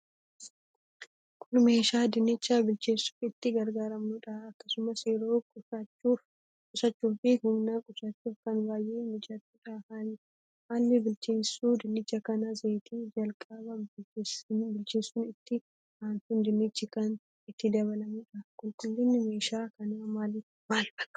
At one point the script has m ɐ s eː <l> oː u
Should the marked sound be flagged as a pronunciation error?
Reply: yes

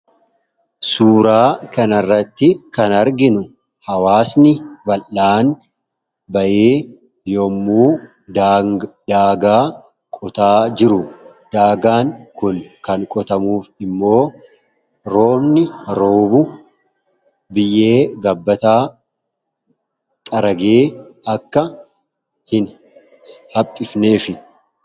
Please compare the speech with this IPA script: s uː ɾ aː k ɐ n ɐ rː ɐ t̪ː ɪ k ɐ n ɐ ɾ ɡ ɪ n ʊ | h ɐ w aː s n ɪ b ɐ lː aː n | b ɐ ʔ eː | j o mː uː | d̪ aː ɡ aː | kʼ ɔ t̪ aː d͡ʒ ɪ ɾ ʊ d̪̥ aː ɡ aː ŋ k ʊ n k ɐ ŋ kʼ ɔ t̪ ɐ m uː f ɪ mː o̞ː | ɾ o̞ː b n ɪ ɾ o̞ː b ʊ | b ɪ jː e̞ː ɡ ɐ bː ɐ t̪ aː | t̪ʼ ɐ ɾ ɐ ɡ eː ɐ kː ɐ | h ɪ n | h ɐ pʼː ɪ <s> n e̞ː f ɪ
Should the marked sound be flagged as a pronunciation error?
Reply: yes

